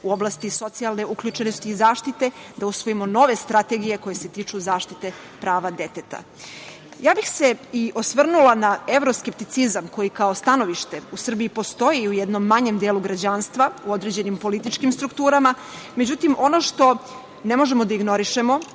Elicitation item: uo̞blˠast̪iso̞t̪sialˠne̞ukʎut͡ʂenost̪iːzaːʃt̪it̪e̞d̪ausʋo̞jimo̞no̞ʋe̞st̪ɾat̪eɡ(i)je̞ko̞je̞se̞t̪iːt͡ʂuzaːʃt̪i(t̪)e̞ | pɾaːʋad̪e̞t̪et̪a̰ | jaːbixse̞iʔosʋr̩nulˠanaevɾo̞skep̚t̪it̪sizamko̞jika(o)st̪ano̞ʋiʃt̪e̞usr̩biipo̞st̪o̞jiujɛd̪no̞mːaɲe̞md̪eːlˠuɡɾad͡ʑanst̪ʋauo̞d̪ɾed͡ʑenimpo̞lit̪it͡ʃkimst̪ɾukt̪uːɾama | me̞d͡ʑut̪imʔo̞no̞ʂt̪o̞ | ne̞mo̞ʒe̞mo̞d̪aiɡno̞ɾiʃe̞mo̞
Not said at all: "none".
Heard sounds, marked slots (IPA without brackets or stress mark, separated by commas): i, t̪, o